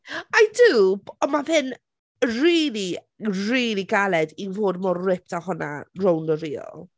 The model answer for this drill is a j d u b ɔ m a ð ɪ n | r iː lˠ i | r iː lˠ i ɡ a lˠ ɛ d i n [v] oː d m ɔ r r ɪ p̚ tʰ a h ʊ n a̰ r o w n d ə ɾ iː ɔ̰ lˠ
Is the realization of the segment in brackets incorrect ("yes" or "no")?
no